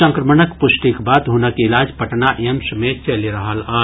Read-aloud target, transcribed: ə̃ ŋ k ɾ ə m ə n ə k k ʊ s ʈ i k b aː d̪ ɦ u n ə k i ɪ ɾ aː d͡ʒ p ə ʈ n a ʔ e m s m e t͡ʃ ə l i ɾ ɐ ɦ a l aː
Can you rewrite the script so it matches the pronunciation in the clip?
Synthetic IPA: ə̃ ŋ k ɾ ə m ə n ə k p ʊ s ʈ i k b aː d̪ ɦ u n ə k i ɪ l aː d͡ʒ p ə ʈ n a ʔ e m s m e t͡ʃ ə l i ɾ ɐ ɦ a l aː